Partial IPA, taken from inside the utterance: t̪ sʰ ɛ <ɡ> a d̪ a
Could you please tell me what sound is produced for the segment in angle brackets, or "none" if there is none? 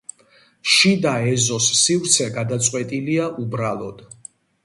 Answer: ɡ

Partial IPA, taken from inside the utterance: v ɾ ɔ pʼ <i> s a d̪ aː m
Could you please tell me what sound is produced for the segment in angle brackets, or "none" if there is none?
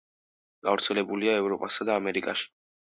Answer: a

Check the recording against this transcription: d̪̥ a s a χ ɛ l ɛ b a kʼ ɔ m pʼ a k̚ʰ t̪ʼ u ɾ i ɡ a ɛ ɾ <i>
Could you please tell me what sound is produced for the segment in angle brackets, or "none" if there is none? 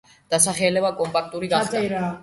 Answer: a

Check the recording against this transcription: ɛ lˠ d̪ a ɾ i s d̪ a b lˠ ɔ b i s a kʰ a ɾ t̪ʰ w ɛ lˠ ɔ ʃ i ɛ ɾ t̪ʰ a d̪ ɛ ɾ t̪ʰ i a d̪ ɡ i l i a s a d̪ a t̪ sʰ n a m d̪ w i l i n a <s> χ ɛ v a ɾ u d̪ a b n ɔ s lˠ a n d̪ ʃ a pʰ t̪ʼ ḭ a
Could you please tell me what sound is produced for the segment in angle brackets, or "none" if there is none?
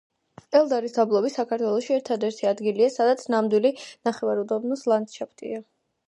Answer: none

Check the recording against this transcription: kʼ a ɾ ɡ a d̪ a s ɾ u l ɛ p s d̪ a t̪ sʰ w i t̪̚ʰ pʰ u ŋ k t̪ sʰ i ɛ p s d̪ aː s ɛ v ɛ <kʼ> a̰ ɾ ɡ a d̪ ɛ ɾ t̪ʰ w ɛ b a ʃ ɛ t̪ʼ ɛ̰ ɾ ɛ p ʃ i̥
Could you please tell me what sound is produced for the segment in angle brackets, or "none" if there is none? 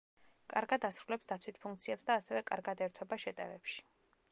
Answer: kʼ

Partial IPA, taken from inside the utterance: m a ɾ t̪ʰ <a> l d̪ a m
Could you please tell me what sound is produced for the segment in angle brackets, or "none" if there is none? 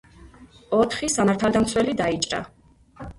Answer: a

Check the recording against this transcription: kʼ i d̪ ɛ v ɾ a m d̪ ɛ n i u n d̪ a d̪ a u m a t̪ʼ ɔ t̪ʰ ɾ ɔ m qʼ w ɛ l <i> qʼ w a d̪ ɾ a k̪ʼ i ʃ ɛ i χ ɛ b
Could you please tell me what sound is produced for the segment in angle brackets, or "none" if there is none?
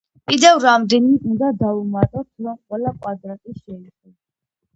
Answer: a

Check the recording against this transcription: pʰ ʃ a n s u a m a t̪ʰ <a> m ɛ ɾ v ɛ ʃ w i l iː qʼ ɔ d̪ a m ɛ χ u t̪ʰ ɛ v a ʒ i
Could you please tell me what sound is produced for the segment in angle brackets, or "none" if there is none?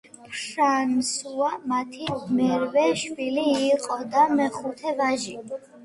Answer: i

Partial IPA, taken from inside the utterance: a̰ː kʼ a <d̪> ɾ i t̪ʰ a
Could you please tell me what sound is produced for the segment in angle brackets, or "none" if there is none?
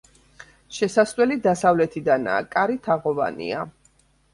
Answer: none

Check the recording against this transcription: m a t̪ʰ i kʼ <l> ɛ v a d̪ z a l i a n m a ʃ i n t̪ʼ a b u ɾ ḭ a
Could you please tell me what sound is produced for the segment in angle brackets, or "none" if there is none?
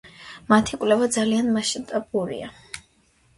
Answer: l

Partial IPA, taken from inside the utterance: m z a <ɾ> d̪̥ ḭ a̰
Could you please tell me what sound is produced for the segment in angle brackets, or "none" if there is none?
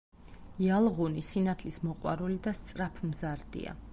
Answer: ɾ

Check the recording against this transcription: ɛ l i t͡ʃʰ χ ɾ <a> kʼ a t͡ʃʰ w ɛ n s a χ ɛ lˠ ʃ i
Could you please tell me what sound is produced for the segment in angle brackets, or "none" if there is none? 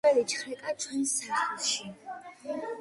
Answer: ɛ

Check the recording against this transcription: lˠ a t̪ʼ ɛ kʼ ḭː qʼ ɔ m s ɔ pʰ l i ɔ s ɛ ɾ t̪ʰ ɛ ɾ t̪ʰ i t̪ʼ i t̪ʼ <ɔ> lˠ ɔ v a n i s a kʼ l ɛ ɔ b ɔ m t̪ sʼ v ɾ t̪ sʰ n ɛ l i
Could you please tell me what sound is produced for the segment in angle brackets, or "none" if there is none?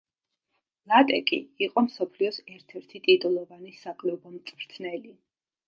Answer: u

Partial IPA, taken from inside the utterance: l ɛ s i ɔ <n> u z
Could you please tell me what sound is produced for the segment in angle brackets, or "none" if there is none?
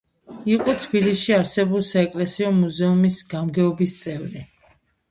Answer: m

